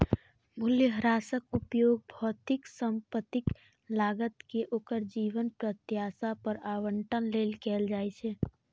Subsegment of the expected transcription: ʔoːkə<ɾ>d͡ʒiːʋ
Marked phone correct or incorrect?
correct